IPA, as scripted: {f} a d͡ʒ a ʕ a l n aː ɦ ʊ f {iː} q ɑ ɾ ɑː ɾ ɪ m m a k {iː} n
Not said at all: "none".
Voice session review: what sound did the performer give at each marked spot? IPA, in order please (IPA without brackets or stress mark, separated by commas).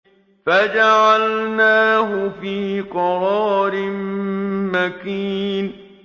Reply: f, iː, iː